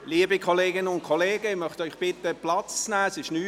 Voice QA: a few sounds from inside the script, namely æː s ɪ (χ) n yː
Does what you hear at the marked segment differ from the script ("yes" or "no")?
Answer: yes